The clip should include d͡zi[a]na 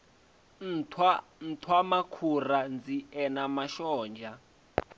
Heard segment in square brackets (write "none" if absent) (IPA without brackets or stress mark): ɛ